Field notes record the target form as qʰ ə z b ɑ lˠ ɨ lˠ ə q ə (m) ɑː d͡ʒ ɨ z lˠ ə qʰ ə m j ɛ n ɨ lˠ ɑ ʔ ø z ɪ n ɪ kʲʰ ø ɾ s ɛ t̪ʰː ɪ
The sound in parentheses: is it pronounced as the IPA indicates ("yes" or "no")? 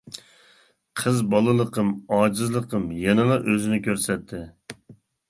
yes